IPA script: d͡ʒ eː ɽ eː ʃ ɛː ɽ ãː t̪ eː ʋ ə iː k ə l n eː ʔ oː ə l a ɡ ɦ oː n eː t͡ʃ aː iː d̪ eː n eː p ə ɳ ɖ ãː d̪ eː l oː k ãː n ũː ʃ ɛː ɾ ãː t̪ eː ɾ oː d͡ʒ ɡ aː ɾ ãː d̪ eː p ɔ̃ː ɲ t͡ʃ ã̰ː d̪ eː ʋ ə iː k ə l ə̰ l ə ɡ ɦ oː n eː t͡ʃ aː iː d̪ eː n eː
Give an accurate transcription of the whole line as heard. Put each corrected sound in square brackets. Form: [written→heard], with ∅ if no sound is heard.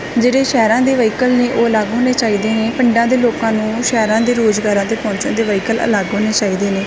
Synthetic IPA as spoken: d͡ʒ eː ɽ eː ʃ ɛː [ɽ→ɾ] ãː [t̪→d̪] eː ʋ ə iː k ə l n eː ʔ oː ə l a ɡ ɦ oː n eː t͡ʃ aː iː d̪ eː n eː p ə ɳ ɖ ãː d̪ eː l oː k ãː n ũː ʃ ɛː ɾ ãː [t̪→d̪] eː ɾ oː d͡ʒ ɡ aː ɾ ãː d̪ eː p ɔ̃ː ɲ t͡ʃ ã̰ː d̪ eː ʋ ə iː k ə l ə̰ l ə ɡ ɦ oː n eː t͡ʃ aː iː d̪ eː n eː